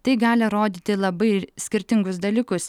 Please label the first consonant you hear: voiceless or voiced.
voiceless